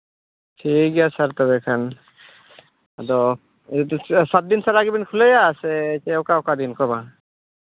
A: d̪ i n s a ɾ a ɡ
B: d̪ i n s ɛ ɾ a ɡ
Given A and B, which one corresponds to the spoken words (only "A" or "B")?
A